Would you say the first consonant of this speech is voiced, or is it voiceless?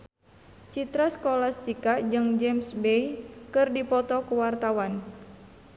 voiceless